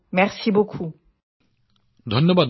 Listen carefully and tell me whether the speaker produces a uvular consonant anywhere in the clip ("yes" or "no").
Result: yes